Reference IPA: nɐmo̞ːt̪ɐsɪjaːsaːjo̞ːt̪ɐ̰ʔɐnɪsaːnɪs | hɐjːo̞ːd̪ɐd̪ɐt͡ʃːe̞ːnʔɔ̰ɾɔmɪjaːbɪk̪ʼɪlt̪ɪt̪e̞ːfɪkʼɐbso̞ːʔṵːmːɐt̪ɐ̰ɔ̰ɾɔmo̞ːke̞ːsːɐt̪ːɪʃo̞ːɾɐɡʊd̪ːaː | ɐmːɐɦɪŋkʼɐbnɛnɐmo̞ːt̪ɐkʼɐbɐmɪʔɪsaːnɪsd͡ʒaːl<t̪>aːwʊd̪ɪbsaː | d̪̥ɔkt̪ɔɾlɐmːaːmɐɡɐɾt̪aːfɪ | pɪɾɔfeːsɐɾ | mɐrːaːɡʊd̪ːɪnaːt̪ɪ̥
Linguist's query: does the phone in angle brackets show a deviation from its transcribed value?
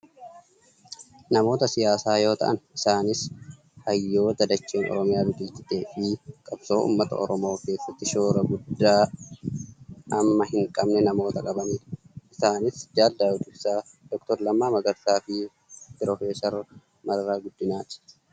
yes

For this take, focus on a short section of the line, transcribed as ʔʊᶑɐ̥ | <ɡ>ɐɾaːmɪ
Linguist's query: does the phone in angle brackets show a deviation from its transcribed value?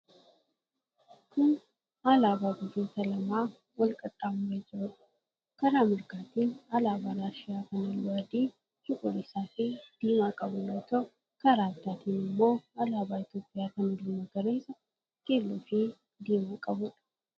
yes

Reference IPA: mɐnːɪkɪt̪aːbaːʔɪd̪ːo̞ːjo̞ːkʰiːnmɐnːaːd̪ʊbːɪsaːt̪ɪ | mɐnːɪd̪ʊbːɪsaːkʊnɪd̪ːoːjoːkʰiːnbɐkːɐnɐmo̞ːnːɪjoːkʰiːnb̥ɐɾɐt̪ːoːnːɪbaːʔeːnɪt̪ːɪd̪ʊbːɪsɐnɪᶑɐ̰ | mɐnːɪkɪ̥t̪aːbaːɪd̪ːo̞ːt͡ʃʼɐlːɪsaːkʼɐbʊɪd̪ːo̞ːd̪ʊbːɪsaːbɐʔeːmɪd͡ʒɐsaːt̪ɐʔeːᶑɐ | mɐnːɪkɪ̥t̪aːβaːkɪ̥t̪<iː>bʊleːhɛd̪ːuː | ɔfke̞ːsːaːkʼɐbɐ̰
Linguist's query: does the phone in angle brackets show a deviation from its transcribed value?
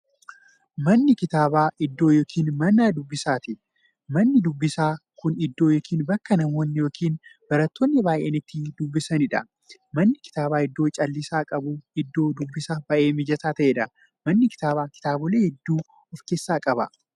yes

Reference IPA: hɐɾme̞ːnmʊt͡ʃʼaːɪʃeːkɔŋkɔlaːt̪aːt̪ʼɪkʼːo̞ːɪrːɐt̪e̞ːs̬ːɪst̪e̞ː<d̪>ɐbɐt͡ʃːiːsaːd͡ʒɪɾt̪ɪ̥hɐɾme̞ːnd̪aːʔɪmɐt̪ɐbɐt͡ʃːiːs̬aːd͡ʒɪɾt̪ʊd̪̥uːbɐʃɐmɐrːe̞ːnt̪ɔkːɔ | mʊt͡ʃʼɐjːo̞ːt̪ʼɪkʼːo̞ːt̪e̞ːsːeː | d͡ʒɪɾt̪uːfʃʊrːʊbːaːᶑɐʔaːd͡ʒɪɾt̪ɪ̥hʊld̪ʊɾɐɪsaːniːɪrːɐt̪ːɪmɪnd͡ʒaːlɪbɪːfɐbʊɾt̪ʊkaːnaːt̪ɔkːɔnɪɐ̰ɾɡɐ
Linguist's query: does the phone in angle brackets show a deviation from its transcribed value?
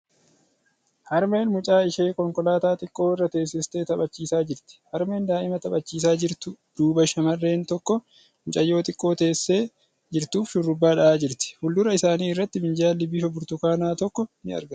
yes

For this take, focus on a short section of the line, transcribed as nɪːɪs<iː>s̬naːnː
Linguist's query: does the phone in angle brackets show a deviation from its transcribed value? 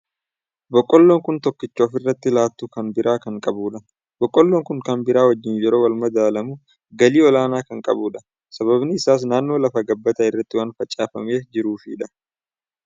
yes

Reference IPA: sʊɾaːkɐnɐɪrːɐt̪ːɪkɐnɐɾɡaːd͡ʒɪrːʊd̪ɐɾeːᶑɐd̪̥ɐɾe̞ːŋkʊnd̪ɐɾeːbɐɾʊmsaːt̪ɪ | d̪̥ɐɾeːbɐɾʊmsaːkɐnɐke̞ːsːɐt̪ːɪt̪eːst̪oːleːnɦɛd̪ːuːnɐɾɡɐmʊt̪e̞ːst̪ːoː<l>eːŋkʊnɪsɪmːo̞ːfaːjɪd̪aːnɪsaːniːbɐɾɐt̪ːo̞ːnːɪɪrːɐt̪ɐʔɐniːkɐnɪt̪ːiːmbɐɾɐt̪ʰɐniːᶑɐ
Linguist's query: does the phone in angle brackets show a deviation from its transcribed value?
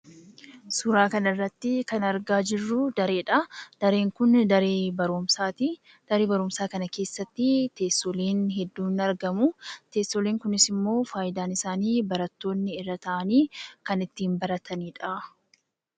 no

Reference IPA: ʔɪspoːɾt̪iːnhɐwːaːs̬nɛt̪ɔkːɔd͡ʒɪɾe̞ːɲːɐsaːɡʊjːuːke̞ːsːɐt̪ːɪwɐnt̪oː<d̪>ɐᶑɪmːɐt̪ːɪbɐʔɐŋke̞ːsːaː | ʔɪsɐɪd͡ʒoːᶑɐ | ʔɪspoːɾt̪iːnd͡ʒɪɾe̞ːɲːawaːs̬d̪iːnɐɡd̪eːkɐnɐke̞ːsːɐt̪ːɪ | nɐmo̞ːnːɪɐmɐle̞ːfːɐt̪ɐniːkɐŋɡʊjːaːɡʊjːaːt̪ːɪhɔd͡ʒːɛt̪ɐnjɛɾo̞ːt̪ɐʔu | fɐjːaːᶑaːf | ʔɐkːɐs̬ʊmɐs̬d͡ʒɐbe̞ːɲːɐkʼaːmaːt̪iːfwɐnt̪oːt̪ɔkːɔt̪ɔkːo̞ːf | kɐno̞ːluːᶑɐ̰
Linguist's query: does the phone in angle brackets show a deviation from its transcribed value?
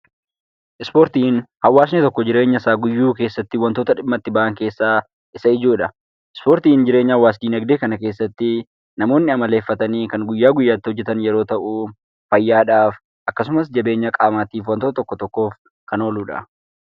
yes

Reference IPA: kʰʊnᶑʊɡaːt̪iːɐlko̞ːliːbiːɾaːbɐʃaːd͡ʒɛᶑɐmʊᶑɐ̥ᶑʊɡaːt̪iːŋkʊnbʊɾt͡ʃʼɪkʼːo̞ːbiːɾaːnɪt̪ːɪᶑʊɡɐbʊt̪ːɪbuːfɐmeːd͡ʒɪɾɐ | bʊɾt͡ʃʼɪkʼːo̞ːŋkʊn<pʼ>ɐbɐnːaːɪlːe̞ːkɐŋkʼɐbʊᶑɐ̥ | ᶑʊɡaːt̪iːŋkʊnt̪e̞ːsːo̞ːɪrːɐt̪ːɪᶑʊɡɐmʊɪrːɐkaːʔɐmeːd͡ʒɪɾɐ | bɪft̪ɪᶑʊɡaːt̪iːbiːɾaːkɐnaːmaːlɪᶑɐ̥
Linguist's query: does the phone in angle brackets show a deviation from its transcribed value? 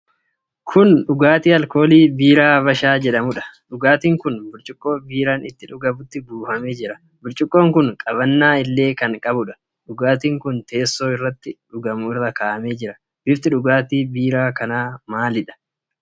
yes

